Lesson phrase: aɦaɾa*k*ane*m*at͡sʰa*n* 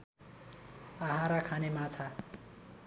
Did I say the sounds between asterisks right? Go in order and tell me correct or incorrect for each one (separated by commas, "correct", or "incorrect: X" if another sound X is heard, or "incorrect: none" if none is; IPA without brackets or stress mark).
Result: incorrect: kʰ, correct, incorrect: none